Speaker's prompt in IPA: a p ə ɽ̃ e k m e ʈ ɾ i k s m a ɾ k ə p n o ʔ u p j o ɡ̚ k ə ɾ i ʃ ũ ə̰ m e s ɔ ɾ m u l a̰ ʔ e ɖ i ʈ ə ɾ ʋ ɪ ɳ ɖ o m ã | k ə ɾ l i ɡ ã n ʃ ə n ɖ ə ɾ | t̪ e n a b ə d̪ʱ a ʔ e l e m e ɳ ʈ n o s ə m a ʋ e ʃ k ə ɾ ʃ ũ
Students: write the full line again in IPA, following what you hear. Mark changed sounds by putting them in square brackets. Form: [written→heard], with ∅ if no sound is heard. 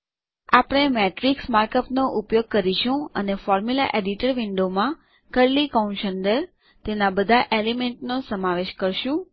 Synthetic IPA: a p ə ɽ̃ e [k→∅] m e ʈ ɾ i k s m a ɾ k ə p n o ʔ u p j o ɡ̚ k ə ɾ i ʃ ũ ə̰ [m→n] e [s→f] ɔ ɾ m u l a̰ ʔ e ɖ i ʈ ə ɾ ʋ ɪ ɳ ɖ o m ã | k ə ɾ l i [ɡ→k] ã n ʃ ə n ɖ ə ɾ | t̪ e n a b ə d̪ʱ a ʔ e l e m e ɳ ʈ n o s ə m a ʋ e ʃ k ə ɾ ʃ ũ

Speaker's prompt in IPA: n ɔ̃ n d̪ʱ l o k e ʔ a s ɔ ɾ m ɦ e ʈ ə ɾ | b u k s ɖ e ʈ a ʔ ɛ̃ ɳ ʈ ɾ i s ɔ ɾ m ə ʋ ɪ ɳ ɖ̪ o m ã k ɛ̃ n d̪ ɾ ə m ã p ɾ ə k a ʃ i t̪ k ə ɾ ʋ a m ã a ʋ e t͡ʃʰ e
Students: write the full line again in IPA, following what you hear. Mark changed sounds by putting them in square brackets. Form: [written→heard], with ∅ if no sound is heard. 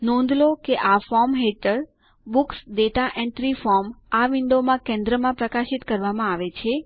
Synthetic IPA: n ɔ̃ n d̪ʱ l o k e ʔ a [s→f] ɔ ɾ m ɦ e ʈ ə ɾ | b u k s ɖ e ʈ a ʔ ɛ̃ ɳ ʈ ɾ i [s→f] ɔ ɾ m [ə→a] ʋ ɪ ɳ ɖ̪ o m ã k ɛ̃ n d̪ ɾ ə m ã p ɾ ə k a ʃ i t̪ k ə ɾ ʋ a m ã a ʋ e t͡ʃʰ e

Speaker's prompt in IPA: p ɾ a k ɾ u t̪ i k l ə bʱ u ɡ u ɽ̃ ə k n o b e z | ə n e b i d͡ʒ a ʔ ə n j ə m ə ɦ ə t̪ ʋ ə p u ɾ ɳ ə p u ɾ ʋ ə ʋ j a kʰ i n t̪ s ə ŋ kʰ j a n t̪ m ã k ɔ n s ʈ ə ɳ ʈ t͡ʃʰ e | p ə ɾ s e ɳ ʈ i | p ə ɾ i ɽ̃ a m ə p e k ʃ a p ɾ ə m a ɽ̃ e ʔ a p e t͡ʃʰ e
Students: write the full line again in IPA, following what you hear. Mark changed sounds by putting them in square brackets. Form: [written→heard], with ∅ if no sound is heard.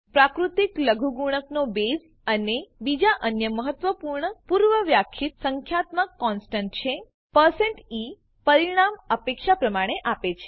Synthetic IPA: p ɾ a k ɾ u t̪ i k l ə [bʱ→ɡʱ] u ɡ u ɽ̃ ə k n o b e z | ə n e b i d͡ʒ a ʔ ə n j ə m ə ɦ ə t̪ ʋ ə p u ɾ ɳ ə p u ɾ ʋ ə ʋ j a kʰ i [n→∅] t̪ s ə ŋ kʰ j a [n→∅] t̪ m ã k ɔ n s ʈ ə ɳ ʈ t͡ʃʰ e | p ə ɾ s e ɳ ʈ i | p ə ɾ i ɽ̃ a m ə p e k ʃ a p ɾ ə m a ɽ̃ e ʔ a p e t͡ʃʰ e

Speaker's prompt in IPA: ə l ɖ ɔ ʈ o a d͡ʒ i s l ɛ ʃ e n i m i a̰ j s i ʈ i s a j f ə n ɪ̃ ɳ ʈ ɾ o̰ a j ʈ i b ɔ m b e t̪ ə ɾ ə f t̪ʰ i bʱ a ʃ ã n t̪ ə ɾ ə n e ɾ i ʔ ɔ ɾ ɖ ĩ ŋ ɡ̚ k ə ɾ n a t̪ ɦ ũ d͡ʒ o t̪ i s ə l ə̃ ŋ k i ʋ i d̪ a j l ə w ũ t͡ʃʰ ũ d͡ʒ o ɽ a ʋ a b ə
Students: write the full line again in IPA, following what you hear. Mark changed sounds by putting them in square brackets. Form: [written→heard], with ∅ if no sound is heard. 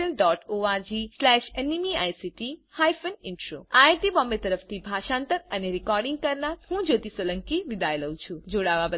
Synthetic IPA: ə l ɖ ɔ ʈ o a d͡ʒ i s l ɛ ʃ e n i m i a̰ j s i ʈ i [s→h] a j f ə n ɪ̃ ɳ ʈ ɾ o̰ a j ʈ i b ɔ m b e t̪ ə ɾ ə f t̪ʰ i bʱ a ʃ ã n t̪ ə ɾ ə n e ɾ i [ʔ→k] ɔ ɾ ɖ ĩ ŋ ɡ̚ k ə ɾ n a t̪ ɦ ũ d͡ʒ o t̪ i s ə l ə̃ ŋ k i ʋ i d̪ a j l ə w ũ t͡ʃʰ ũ d͡ʒ o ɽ a ʋ a b ə

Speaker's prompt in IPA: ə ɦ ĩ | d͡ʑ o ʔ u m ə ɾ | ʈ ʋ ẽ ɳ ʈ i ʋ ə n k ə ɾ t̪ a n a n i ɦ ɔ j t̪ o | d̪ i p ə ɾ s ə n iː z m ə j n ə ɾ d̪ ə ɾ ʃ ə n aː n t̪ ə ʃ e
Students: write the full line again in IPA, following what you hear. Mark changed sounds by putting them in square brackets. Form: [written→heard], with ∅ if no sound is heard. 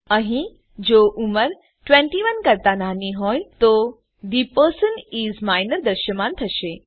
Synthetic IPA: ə ɦ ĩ | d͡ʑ o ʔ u m ə ɾ | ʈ ʋ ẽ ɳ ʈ i ʋ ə n k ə ɾ t̪ a n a n i ɦ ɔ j t̪ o | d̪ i p ə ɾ s ə n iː z m [ə→a] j n ə ɾ d̪ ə ɾ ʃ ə [n→m] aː n [t̪→t̪ʰ] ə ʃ e

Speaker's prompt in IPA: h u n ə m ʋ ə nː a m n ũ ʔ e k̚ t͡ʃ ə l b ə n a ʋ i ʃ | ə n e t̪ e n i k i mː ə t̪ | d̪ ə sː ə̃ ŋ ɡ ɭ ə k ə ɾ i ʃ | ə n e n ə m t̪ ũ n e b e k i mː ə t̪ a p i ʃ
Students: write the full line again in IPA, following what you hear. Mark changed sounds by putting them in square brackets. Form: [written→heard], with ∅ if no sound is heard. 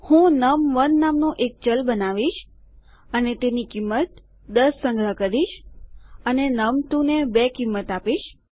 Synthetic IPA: h [u→ũ] n ə m ʋ ə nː a m n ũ ʔ e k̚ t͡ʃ ə l b ə n a ʋ i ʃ | ə n e t̪ e n i k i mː ə t̪ | d̪ ə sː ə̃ ŋ ɡ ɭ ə k ə ɾ i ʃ | ə n e n ə m t̪ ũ n e b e k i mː ə t̪ a p i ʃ

